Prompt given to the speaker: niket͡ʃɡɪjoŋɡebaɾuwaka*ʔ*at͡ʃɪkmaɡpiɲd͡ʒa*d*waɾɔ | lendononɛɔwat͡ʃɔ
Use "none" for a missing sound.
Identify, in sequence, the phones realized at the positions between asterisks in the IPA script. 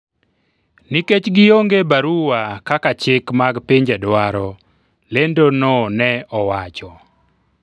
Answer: k, d

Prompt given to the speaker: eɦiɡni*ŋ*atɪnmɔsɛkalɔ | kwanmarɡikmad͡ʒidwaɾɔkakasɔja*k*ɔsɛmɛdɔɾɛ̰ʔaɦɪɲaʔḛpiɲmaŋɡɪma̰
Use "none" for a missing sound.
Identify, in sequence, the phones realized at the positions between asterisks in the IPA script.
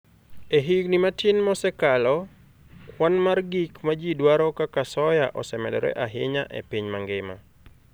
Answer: m, ʔ

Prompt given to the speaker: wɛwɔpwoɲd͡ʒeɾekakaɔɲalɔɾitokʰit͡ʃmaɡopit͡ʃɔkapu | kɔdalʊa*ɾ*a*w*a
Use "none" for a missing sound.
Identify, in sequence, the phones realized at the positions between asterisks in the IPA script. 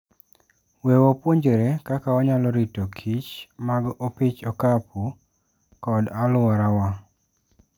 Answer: ɾ, w

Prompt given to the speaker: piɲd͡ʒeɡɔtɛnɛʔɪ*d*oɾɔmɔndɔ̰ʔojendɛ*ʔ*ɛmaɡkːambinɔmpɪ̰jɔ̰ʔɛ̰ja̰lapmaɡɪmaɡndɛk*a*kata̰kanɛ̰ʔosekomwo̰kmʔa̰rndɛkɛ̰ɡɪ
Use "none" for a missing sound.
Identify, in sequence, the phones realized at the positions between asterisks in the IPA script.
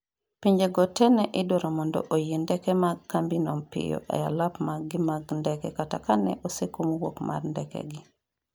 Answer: d, k, ɛ

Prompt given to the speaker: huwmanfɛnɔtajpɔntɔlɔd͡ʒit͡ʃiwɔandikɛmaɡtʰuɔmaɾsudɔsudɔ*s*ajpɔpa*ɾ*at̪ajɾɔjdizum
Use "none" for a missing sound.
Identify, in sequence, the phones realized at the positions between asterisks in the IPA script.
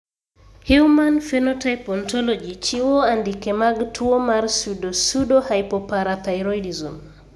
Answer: h, ɾ

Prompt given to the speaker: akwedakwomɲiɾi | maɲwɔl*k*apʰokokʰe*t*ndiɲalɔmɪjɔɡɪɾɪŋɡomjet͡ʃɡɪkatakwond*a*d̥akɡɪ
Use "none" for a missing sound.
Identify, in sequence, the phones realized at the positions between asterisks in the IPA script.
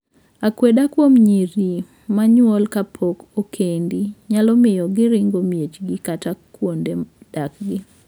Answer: k, none, e

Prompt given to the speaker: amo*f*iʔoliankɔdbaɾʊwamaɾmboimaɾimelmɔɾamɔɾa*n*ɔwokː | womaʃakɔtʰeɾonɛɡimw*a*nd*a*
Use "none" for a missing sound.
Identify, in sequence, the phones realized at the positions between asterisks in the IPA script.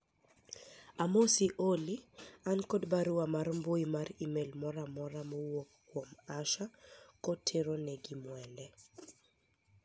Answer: s, m, ɛ, ɛ

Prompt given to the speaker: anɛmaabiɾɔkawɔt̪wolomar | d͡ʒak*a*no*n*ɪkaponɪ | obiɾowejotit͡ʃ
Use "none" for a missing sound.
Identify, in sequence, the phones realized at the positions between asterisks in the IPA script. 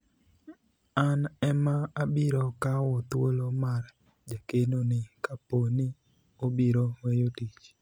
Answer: e, n

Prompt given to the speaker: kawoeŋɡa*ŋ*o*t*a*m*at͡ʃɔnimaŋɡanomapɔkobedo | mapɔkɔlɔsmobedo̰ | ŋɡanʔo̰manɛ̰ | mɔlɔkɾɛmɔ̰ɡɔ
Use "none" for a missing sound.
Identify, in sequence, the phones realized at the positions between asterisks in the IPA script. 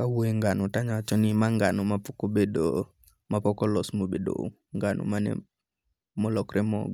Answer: n, t, ɲ

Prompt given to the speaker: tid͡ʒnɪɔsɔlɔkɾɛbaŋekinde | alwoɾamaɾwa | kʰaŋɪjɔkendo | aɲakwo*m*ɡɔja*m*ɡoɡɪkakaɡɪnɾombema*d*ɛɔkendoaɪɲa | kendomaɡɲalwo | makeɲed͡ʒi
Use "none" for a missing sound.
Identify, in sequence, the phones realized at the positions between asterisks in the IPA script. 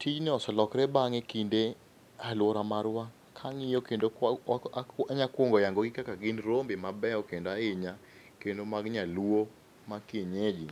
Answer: ŋ, ŋ, b

